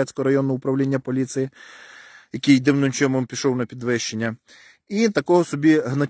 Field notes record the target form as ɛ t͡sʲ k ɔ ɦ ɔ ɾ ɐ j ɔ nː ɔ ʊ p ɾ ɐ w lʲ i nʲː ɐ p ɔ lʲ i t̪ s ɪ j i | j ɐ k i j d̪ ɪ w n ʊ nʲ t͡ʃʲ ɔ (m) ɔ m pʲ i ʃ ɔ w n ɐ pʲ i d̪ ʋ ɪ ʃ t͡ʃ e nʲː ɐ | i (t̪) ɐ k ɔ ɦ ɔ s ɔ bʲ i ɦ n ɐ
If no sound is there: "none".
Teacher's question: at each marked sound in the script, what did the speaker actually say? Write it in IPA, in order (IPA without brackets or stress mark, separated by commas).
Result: m, t̪